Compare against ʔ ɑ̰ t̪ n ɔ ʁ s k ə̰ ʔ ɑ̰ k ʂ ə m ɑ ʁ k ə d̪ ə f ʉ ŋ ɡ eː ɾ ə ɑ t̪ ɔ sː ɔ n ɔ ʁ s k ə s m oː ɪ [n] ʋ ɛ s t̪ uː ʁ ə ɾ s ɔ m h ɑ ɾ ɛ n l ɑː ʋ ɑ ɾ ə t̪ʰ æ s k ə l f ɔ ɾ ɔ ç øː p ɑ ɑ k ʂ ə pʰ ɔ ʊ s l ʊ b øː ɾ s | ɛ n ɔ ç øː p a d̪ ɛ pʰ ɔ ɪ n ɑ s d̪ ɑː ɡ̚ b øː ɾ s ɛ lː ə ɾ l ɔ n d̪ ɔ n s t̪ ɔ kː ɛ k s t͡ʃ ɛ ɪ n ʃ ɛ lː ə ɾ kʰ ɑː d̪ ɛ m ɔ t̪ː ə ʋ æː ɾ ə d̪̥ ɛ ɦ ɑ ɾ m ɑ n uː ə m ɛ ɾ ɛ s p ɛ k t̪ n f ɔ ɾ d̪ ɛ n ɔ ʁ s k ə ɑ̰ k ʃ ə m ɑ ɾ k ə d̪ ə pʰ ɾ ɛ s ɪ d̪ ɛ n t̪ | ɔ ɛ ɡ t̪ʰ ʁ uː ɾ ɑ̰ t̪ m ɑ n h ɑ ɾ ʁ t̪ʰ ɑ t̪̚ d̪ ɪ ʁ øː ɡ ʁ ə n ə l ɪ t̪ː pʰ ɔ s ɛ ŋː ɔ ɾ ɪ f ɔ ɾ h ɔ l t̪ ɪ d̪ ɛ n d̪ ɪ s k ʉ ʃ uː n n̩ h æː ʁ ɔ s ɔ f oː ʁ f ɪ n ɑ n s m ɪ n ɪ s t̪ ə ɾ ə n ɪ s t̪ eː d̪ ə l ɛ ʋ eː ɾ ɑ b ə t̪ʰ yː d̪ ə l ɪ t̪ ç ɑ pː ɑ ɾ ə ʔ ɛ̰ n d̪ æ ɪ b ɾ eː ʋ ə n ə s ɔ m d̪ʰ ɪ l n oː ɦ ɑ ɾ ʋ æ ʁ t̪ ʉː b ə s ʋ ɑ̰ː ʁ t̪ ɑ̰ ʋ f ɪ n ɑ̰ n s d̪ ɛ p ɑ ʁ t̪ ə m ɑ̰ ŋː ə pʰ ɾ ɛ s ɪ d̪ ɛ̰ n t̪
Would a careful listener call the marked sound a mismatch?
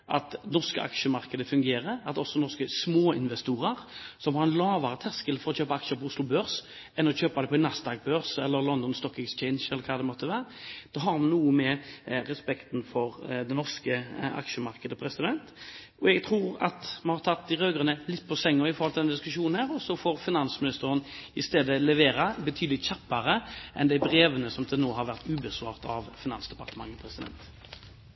no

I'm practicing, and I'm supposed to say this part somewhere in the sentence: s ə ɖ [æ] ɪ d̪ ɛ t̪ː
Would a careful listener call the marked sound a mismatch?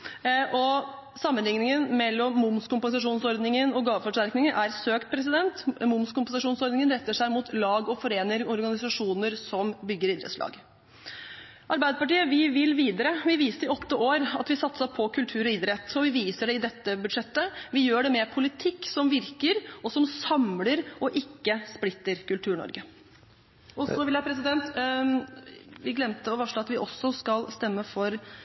yes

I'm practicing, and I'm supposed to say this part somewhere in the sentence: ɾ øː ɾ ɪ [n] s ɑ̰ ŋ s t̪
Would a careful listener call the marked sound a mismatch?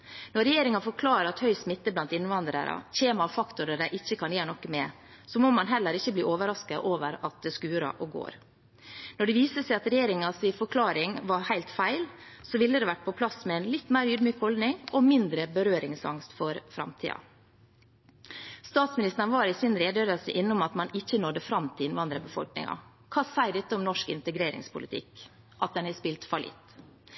yes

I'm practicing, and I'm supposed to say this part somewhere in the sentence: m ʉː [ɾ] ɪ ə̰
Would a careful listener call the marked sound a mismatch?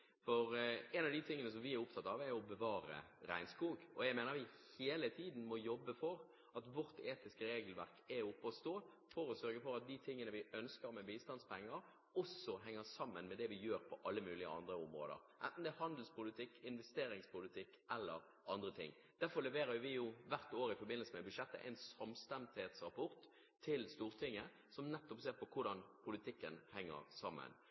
yes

